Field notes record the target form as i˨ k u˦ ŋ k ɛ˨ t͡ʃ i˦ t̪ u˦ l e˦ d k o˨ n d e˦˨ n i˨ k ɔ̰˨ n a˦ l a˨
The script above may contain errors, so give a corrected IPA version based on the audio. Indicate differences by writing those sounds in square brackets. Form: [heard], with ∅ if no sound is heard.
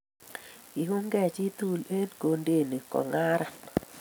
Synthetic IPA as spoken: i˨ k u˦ ŋ [ɡ] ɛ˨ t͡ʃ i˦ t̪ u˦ l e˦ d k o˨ n d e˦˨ n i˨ k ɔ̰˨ [ŋ] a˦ [ɾ] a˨